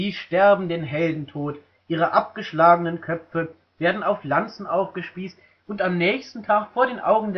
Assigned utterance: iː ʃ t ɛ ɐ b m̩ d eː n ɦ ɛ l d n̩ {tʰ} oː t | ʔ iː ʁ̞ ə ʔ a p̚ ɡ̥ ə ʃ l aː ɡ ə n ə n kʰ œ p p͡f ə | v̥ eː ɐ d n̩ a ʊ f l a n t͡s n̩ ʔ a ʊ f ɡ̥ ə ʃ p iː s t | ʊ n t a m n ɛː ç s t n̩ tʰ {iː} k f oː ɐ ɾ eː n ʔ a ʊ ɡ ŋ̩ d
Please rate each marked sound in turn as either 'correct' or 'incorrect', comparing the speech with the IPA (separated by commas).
correct, incorrect